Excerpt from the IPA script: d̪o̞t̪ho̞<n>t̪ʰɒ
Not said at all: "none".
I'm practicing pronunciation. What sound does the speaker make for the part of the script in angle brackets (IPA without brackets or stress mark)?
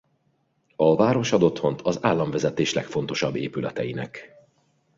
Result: n